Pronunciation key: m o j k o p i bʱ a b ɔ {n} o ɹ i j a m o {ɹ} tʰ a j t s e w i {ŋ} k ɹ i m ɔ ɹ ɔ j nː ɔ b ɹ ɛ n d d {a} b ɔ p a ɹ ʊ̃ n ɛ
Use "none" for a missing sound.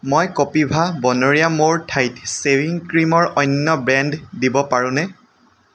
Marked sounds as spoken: n, ɹ, ŋ, i

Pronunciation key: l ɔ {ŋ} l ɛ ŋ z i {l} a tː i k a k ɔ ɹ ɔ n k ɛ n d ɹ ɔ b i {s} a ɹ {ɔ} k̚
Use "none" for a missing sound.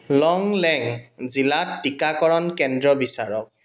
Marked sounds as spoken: ŋ, l, s, ɔ

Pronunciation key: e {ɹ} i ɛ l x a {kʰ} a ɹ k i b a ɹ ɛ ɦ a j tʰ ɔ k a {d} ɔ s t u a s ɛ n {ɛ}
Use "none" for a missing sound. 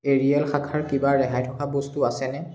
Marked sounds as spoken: ɹ, kʰ, b, ɛ

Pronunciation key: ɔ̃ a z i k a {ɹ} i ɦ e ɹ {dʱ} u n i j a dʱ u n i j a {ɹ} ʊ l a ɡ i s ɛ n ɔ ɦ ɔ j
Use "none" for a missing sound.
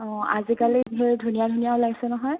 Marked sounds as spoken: l, dʱ, none

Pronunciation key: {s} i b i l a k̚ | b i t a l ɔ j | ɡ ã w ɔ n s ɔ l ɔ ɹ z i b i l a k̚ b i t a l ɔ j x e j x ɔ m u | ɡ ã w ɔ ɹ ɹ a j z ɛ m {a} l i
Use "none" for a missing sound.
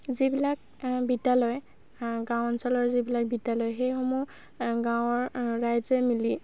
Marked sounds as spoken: z, i

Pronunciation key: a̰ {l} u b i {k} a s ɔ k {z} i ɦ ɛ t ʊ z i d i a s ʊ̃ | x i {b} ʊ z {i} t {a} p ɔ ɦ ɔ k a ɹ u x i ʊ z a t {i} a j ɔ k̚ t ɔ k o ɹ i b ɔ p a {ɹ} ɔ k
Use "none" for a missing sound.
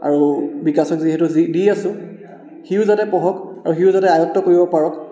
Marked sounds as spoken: ɹ, k, z, none, a, ɛ, ɛ, ɹ

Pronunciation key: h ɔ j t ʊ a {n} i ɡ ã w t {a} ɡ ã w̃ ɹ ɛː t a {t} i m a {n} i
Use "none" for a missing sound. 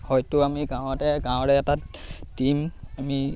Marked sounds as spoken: m, ɛ, t, m

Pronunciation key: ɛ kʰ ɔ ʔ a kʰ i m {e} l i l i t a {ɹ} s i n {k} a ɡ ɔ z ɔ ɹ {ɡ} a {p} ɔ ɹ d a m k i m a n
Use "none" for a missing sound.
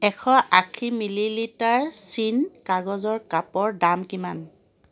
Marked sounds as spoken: i, ɹ, k, k, p

